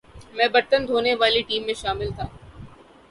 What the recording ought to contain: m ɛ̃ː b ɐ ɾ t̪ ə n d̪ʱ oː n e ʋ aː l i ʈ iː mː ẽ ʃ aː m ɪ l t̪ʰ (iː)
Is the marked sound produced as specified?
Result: no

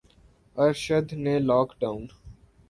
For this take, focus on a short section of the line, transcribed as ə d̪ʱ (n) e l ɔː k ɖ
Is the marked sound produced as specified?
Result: yes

